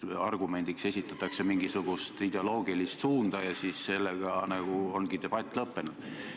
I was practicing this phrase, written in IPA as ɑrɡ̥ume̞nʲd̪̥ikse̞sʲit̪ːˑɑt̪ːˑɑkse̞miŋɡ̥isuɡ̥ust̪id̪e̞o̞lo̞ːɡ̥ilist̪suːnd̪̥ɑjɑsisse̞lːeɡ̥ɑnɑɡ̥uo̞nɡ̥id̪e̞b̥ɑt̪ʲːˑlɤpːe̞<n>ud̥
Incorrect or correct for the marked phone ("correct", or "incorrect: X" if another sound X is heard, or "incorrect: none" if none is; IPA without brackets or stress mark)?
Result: correct